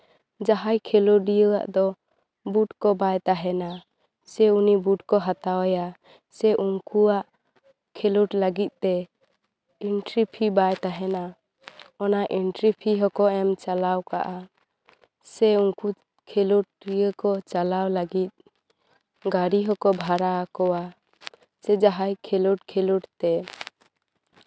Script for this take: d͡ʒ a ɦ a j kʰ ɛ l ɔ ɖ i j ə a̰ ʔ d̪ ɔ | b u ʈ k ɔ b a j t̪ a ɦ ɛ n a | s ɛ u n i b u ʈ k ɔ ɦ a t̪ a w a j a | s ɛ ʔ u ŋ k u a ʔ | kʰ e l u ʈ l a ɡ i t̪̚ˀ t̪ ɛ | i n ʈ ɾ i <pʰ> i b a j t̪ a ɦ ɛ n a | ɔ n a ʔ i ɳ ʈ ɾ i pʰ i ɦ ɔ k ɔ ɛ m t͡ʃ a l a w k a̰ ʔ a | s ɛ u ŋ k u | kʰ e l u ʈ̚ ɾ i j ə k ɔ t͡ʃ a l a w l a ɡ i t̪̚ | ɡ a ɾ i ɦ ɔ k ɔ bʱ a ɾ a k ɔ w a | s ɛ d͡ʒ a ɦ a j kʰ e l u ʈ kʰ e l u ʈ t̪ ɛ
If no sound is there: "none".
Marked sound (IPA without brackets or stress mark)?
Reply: pʰ